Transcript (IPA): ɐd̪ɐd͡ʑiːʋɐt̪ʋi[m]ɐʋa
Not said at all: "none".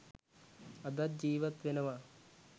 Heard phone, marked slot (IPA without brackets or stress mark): n